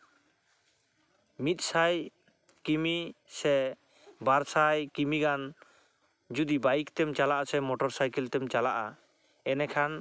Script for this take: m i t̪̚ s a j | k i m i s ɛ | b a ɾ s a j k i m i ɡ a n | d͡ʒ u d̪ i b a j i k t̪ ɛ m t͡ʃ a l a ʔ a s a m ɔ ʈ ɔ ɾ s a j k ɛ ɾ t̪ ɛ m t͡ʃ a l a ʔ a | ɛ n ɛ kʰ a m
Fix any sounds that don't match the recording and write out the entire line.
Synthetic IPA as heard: m i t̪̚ s a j | k i m i s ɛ | b a ɾ s a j k i m i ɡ a n | d͡ʒ u d̪ i b a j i k t̪ ɛ m t͡ʃ a l a ʔ a s ɛ m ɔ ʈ ɔ ɾ s a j k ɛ l t̪ ɛ m t͡ʃ a l a ʔ a | ɛ n ɛ kʰ a n